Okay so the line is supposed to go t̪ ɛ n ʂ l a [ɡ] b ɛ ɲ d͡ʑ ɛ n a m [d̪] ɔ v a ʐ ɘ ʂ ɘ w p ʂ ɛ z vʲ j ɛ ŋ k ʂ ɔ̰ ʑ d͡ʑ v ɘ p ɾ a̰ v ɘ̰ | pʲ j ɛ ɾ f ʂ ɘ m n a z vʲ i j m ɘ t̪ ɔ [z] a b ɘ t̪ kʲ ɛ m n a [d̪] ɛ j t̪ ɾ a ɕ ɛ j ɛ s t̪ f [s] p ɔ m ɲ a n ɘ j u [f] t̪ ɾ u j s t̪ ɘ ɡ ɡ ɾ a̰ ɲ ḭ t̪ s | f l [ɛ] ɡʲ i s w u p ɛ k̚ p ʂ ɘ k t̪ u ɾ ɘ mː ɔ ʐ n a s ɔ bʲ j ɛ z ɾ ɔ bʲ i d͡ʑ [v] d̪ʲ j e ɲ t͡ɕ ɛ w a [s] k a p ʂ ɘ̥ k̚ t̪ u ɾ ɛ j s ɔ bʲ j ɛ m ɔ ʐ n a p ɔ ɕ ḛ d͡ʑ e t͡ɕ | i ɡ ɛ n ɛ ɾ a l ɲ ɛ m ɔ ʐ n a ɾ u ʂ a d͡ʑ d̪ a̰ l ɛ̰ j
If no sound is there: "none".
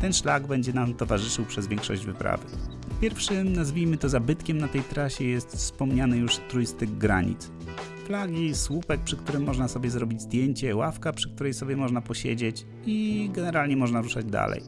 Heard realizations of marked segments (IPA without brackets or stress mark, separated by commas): ɡ, t̪, z, t̪, s, ʂ, a, z, f